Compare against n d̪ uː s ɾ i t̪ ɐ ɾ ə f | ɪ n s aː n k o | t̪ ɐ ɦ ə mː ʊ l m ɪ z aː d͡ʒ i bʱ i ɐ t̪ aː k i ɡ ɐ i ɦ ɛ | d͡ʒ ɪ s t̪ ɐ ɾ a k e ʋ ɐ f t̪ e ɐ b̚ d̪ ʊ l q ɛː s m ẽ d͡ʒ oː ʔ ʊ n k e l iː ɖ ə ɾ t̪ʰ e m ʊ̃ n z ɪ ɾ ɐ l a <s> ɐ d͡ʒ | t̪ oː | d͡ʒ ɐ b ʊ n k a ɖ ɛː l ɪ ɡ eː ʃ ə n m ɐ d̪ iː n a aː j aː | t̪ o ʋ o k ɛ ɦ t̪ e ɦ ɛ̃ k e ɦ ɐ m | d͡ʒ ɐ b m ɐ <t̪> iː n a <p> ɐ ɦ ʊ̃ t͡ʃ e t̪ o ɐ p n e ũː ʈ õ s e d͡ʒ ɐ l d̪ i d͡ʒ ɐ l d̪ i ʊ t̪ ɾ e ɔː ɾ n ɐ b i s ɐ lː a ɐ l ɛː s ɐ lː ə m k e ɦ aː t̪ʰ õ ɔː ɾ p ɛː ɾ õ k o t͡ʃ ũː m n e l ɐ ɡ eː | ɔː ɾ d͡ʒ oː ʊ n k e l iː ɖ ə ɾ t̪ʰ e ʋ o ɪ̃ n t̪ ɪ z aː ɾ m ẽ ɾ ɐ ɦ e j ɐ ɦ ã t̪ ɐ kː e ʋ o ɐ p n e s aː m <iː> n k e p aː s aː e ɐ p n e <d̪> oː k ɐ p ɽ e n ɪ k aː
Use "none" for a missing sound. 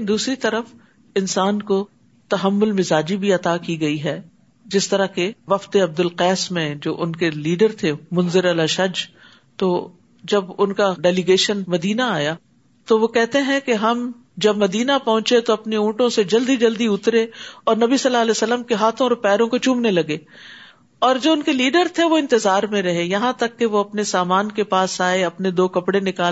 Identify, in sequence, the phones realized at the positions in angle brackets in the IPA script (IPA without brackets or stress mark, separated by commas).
ʃ, d̪, p, aː, d̪